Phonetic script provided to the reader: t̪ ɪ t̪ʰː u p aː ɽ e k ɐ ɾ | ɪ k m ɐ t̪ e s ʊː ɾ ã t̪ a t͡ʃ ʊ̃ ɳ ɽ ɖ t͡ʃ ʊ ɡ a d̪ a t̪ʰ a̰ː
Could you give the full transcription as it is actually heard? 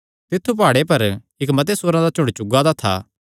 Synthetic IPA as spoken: t̪ ɪ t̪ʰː u p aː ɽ e p ɐ ɾ | ɪ k m ɐ t̪ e s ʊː ɾ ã d̪ a t͡ʃ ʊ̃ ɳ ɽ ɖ t͡ʃ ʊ ɡ a d̪ a t̪ʰ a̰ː